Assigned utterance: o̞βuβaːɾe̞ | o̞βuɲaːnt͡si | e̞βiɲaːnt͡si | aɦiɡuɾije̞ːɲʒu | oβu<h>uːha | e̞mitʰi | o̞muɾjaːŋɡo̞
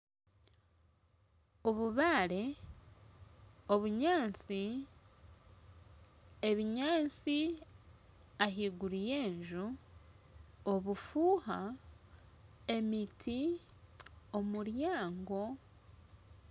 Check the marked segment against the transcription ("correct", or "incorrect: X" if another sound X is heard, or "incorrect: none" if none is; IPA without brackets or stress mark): incorrect: f